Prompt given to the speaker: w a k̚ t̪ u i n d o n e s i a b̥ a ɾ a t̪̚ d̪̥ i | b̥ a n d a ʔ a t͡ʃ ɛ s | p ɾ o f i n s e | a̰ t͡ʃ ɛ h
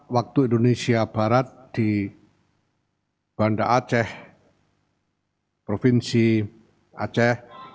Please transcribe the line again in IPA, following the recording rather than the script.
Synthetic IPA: w a k̚ t̪ u i n d o n e s i a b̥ a ɾ a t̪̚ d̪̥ i | b̥ a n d a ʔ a t͡ʃ ɛ h | p ɾ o f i n s i | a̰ t͡ʃ ɛ h